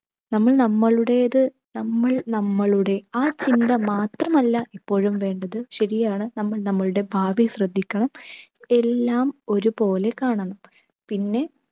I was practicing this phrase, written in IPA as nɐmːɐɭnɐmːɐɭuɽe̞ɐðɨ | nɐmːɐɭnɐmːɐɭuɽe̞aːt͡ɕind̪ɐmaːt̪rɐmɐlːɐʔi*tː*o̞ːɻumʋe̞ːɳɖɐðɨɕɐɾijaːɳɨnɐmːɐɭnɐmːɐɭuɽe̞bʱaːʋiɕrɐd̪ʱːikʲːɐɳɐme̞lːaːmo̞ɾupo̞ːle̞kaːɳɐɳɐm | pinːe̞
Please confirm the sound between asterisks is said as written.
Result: no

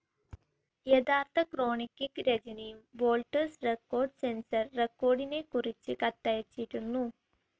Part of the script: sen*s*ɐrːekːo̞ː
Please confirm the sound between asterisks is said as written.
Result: yes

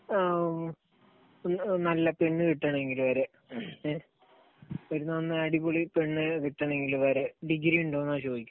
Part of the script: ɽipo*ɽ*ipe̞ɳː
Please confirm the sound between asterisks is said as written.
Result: no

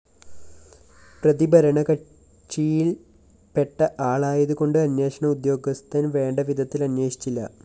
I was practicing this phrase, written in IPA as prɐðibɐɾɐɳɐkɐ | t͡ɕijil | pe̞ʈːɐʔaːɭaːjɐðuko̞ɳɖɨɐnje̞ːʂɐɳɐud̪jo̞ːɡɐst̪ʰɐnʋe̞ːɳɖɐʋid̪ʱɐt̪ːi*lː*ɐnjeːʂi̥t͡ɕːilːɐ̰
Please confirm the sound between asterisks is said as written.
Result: no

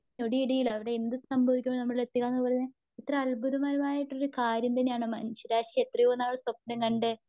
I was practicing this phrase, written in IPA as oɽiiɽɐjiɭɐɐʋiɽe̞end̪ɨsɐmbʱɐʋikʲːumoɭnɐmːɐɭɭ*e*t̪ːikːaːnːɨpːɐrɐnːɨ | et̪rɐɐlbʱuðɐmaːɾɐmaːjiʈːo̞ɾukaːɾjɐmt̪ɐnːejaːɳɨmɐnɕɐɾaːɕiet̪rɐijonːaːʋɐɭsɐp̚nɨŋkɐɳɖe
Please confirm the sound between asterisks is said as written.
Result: yes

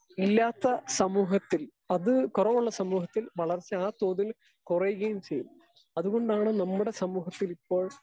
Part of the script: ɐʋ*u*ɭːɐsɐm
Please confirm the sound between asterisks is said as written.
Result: yes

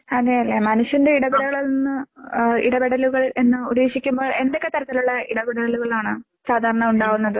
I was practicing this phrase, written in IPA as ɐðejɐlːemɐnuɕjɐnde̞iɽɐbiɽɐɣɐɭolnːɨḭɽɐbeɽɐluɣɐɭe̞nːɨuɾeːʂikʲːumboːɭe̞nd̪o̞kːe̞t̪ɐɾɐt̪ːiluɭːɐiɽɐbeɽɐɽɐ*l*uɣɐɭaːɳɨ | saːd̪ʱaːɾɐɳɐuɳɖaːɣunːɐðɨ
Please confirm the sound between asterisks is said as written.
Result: yes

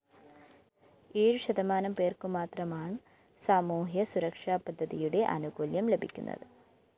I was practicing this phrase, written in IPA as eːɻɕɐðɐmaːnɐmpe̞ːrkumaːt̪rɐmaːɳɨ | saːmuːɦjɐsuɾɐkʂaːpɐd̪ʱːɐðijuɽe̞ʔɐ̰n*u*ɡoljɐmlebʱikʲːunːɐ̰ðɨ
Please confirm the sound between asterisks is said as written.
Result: yes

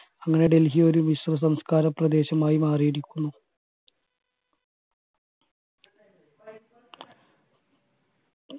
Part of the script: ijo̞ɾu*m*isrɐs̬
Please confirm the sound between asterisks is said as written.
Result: yes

